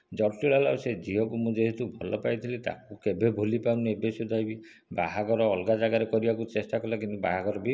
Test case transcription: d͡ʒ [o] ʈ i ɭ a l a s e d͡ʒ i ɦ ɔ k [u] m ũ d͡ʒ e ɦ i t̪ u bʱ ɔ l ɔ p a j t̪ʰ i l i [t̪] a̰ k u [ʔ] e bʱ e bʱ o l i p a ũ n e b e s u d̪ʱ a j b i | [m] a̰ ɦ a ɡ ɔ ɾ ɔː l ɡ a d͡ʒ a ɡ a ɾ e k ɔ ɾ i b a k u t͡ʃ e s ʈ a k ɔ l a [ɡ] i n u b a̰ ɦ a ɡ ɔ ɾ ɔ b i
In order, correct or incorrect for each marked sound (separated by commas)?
incorrect, correct, correct, incorrect, incorrect, incorrect